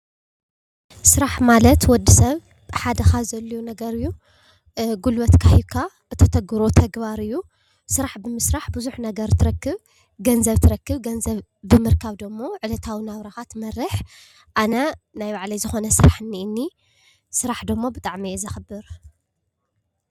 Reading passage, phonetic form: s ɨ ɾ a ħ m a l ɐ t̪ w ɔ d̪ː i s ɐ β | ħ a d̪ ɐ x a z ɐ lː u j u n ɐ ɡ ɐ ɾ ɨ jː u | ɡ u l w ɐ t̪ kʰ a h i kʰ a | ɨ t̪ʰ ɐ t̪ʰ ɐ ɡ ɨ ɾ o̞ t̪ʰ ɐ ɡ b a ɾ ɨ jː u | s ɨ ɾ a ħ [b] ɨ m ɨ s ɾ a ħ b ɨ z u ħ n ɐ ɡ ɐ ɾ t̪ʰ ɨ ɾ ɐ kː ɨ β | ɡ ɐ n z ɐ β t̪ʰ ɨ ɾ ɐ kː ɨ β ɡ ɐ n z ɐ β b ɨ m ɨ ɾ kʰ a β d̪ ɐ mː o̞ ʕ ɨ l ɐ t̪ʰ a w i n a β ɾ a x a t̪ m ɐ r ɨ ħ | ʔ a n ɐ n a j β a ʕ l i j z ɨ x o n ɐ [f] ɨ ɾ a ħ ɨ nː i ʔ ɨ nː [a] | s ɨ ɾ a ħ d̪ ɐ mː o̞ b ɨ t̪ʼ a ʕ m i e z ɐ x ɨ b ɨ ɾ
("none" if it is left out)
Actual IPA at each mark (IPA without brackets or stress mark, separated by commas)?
b, s, i